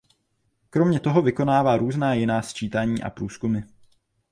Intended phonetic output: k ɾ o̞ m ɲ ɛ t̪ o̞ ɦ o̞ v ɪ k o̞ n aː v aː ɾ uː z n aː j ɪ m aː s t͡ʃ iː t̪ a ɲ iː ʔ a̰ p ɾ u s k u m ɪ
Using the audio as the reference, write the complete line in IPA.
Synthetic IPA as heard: k ɾ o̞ m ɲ ɛ t̪ o̞ ɦ o̞ v ɪ k o̞ n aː v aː ɾ uː z n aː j ɪ n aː s t͡ʃ iː t̪ a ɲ iː ʔ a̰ p ɾ uː s k u m ɪ